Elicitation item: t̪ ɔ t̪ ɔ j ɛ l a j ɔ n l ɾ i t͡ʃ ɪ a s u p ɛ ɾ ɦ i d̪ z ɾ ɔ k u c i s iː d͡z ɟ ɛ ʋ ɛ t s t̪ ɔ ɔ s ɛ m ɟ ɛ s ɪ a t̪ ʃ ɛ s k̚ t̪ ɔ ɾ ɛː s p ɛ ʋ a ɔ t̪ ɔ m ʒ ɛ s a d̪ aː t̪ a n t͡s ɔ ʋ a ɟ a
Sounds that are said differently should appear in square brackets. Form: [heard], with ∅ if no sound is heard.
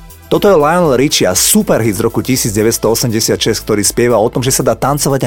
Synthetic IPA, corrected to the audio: t̪ ɔ t̪ ɔ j ɛ l a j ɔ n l ɾ i t͡ʃ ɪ a s u p ɛ ɾ ɦ i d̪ z ɾ ɔ k u c i s iː d͡z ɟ ɛ ʋ ɛ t s t̪ ɔ ɔ s ɛ m ɟ ɛ s ɪ a t̪ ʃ ɛ s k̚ t̪ ɔ ɾ [iː] s p ɛ ʋ a ɔ t̪ ɔ m ʒ ɛ s a d̪ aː t̪ a n t͡s ɔ ʋ a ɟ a